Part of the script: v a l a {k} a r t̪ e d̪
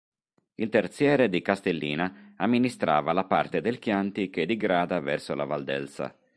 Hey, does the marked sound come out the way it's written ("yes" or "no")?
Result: no